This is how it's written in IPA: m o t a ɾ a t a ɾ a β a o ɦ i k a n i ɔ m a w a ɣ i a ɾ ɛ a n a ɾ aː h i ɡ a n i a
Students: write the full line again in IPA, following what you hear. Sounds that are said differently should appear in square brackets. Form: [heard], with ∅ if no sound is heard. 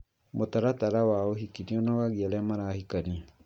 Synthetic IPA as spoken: m o t a ɾ a t a ɾ a [w] a o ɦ i k [i] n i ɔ [n] a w a ɣ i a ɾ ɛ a [m] a ɾ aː h i [k] a n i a